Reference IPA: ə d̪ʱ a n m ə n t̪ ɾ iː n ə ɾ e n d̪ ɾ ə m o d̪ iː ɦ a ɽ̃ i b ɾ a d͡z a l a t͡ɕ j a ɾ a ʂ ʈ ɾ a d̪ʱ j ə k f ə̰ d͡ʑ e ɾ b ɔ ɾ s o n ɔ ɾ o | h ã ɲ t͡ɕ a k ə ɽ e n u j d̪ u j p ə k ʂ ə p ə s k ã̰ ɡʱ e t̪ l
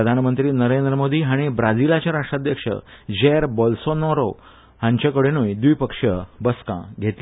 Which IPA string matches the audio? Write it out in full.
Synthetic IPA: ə d̪ʱ a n m ə n t̪ ɾ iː n ə ɾ e n d̪ ɾ ə m o d̪ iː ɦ a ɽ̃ i b ɾ a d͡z i l a t͡ɕ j a ɾ a ʂ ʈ ɾ a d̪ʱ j ə k ʂ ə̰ d͡ʑ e ɾ b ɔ l s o n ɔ ɾ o | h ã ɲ t͡ɕ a k ə ɽ e n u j d̪ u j p ə k ʂ ə b ə s k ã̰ ɡʱ e t̪ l